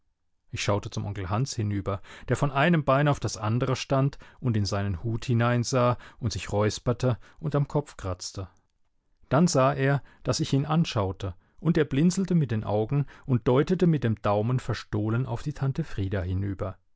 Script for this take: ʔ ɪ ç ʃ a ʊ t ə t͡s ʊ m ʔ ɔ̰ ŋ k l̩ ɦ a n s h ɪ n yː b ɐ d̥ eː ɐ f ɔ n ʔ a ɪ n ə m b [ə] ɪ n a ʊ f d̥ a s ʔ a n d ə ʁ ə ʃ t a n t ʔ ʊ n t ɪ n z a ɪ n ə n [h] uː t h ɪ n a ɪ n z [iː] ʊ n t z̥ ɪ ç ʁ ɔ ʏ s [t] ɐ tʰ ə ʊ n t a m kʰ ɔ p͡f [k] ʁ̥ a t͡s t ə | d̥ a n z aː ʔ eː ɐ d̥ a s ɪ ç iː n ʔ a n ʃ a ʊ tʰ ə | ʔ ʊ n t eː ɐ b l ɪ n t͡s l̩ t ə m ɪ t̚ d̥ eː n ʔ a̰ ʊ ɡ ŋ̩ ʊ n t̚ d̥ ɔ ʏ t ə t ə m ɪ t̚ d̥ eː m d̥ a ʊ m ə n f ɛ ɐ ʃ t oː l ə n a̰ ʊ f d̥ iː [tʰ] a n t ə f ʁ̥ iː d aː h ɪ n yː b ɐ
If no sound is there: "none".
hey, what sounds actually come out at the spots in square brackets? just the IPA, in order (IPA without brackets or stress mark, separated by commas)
a, h, aː, p, k, tʰ